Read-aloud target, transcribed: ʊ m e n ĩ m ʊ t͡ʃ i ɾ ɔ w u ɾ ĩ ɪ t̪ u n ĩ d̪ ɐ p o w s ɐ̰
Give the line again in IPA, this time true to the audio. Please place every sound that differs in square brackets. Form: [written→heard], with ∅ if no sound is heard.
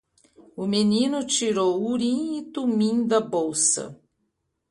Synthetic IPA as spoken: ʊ m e n ĩ [m→n] ʊ t͡ʃ i ɾ [ɔ→o] w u ɾ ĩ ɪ t̪ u [n→m] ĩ d̪ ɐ [p→b] o w s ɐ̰